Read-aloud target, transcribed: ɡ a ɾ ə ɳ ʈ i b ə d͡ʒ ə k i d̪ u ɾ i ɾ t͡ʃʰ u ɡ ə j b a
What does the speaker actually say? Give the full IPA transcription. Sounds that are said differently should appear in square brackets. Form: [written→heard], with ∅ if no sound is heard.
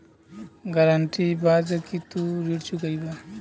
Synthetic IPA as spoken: ɡ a ɾ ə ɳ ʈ i b [ə→a] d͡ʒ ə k i [d̪→t̪] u ɾ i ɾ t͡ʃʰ u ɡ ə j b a